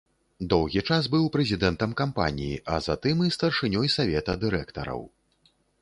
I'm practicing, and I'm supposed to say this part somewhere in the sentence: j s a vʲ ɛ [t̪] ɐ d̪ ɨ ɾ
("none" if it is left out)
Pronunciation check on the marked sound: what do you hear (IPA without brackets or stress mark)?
t̪